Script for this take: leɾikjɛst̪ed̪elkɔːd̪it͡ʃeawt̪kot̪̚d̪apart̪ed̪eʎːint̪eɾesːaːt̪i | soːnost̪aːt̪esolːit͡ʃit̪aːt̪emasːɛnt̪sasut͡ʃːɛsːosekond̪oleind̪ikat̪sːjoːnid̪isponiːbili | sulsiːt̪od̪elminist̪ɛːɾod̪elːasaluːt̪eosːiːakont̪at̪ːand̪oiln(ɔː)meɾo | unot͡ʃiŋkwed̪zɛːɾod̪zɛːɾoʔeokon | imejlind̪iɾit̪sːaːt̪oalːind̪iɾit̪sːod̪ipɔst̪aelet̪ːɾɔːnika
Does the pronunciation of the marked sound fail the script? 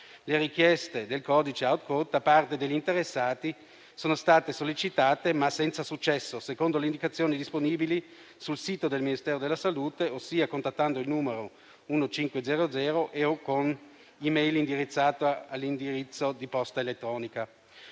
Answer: yes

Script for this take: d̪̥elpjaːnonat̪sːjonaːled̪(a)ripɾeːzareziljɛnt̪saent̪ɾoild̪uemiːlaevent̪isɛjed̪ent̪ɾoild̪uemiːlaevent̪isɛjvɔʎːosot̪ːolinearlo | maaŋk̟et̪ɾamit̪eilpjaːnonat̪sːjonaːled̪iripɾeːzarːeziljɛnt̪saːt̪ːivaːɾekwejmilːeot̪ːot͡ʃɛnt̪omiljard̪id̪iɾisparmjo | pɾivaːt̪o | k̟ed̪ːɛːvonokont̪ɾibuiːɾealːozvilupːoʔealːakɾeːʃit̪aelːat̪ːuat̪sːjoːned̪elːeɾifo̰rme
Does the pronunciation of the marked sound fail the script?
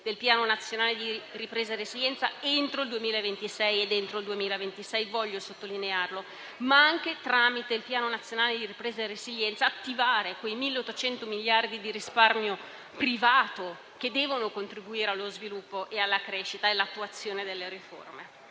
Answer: yes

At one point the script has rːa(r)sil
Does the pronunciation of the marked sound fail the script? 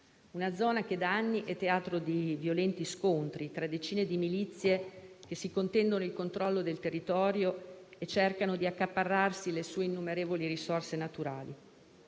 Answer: no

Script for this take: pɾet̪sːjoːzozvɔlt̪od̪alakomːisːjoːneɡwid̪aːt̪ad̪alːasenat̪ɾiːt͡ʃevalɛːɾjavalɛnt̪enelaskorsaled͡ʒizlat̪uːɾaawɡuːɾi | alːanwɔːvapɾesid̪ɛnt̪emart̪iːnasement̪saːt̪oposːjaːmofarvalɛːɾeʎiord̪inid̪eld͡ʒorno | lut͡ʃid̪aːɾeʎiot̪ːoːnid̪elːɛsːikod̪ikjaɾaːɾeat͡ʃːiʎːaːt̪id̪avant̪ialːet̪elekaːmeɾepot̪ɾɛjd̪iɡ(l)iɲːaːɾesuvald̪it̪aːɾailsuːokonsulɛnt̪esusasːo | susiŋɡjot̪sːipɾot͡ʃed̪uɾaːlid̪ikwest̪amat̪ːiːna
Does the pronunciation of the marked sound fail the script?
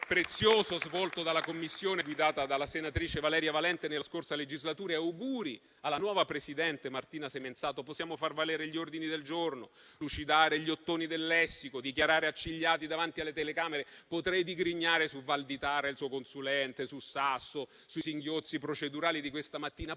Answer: yes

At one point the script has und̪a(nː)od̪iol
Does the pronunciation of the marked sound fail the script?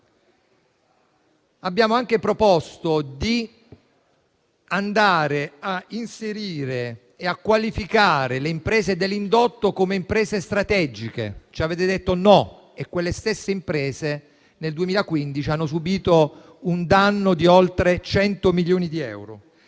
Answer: no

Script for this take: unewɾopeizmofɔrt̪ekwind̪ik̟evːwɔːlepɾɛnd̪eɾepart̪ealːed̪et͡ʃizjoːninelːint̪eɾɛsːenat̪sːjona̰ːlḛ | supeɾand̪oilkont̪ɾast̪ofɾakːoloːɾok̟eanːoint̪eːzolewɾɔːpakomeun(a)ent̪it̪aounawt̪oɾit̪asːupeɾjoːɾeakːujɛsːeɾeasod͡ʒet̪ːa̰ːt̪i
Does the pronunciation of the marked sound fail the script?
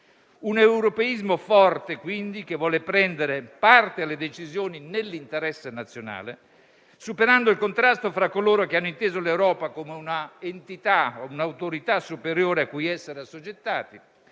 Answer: no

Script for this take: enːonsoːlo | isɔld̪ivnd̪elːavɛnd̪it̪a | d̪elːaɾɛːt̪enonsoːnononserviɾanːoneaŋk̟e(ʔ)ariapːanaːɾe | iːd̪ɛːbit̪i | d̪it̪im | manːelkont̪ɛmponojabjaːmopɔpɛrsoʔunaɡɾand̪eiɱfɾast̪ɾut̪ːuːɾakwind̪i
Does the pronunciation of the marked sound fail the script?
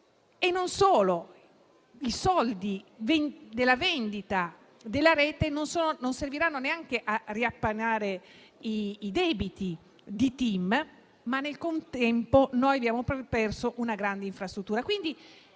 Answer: no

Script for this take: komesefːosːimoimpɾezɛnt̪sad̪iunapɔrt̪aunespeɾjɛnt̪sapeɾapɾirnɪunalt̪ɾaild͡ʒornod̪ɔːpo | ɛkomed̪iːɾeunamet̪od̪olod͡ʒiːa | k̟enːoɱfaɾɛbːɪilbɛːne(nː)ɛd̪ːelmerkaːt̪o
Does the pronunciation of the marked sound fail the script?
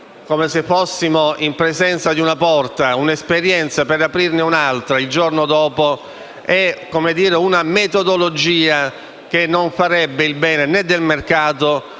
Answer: yes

